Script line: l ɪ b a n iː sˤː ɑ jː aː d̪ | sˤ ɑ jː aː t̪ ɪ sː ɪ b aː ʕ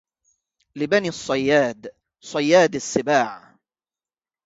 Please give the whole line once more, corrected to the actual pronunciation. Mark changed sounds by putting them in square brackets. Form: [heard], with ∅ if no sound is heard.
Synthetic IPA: l ɪ b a n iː sˤː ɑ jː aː d̪ | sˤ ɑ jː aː [d̪] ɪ sː ɪ b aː ʕ